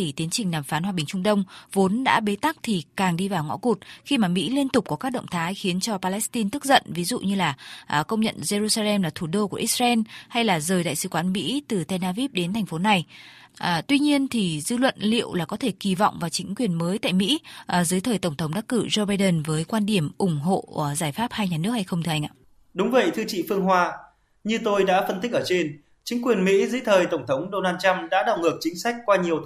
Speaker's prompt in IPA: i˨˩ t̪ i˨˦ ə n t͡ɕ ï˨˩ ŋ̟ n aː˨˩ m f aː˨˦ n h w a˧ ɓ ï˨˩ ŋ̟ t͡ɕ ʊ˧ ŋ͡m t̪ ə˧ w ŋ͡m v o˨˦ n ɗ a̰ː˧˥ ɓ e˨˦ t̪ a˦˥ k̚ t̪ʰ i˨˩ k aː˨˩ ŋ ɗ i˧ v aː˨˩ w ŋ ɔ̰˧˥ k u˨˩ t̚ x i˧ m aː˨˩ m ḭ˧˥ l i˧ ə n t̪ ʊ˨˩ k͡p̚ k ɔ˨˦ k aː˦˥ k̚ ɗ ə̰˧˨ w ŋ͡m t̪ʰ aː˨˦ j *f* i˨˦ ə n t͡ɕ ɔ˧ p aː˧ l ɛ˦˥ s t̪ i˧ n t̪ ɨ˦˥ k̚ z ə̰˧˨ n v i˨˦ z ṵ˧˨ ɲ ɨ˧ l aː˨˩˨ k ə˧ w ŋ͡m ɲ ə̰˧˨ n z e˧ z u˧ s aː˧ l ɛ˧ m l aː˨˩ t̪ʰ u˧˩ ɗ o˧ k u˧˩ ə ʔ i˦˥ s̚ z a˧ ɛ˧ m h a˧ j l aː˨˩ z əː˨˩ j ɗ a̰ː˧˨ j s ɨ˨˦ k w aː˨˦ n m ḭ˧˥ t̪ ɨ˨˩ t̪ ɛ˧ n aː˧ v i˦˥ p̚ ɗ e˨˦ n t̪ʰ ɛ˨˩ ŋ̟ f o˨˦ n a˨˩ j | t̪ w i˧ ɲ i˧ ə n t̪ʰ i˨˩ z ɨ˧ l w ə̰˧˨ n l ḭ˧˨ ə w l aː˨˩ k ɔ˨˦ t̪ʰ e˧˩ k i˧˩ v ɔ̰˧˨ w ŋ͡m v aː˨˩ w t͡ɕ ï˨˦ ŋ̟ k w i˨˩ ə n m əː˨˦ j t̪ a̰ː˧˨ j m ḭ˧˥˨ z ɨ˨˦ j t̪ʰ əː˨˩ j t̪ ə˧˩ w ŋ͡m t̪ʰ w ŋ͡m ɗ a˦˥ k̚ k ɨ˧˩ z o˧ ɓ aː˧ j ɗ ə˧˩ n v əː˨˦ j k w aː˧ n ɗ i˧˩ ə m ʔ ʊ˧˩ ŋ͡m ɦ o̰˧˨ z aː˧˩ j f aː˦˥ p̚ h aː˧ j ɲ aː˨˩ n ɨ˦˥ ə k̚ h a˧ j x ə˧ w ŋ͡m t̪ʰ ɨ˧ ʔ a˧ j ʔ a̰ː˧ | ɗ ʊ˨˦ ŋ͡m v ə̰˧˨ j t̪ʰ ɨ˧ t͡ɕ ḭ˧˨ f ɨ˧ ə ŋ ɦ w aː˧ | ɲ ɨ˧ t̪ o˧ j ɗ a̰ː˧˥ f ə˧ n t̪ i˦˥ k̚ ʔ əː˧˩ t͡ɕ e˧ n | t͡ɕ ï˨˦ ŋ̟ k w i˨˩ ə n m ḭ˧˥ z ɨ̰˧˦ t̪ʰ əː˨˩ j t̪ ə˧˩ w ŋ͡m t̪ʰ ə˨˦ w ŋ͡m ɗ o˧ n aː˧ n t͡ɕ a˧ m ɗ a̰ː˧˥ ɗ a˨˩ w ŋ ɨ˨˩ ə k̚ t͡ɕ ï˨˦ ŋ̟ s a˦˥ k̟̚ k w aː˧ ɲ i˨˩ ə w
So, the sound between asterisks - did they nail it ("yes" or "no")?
no